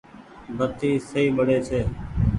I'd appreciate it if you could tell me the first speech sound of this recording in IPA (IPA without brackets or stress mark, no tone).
b